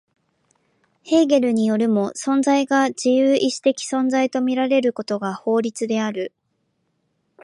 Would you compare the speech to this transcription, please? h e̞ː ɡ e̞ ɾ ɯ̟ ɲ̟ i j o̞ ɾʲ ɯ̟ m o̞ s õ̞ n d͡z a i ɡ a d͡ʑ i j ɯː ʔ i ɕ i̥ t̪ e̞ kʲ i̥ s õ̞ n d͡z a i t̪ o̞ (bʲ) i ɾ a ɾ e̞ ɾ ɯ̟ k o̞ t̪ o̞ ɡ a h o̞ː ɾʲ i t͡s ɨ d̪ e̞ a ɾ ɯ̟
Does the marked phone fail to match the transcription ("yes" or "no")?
yes